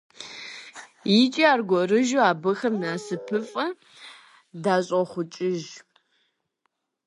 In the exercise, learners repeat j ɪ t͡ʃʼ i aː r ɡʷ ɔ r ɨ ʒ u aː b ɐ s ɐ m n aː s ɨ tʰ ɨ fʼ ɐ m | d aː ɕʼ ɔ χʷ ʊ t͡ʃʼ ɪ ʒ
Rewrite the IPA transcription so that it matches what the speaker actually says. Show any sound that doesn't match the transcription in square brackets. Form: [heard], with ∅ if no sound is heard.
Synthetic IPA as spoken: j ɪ t͡ʃʼ i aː r ɡʷ ɔ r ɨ ʒ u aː b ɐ [x] ɐ m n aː s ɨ [pʰ] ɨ fʼ ɐ [∅] | d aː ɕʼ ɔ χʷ ʊ t͡ʃʼ ɪ ʒ